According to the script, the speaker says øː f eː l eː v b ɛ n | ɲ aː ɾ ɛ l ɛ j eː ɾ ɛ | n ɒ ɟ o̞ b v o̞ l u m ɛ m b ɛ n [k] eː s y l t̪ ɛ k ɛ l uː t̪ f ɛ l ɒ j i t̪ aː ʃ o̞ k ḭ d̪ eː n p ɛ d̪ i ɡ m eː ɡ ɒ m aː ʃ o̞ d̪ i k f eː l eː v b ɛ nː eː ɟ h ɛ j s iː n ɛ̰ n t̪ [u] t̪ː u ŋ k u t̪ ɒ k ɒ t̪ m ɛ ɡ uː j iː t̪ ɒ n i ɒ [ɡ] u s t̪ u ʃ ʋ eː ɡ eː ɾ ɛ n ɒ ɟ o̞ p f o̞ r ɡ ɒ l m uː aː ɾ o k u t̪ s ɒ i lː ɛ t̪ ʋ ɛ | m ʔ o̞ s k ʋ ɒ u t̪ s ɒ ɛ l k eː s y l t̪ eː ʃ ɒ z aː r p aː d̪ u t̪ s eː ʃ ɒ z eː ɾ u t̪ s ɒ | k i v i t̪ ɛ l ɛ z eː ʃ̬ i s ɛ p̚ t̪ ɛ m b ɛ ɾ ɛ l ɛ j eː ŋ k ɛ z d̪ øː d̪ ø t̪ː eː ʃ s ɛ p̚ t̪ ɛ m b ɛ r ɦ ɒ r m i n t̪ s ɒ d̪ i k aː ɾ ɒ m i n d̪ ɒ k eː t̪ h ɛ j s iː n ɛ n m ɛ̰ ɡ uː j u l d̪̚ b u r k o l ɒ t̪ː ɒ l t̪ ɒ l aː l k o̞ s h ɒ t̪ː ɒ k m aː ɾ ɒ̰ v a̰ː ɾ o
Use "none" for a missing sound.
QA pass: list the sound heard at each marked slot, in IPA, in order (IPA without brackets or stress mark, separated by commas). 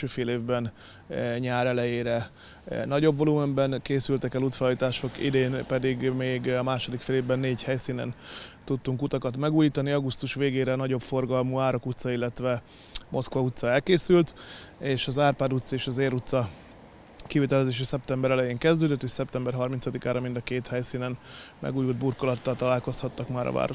k, u, ɡ